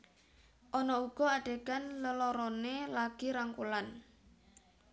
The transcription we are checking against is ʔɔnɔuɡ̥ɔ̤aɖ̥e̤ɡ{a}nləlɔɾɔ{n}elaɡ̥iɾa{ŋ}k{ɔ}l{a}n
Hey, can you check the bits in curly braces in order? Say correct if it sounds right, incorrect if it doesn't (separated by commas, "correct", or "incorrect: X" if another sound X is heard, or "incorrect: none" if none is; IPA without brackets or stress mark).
correct, correct, correct, incorrect: u, correct